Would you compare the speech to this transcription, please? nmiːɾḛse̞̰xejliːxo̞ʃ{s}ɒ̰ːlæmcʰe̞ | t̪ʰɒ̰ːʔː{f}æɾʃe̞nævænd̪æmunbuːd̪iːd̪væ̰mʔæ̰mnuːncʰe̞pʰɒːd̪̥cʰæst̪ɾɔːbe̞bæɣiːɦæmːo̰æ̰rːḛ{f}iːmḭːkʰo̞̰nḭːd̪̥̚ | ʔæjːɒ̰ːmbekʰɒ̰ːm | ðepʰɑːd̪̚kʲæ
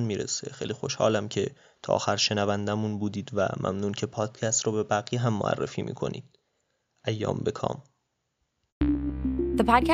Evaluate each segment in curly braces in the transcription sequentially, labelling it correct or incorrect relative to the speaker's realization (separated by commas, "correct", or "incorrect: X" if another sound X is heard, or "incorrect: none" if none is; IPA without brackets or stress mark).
incorrect: h, incorrect: x, correct